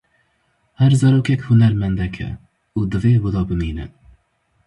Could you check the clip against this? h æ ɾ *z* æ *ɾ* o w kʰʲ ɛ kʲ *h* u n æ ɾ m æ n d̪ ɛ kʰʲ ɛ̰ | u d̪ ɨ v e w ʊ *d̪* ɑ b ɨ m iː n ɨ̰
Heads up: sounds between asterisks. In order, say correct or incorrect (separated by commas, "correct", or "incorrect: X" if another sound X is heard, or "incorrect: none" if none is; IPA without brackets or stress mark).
correct, correct, correct, correct